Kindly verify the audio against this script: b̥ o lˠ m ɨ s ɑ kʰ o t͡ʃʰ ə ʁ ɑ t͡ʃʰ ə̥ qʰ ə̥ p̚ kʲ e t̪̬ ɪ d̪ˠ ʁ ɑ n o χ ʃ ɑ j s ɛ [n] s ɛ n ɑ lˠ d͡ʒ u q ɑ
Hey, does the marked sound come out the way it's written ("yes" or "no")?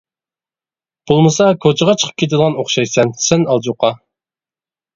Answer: yes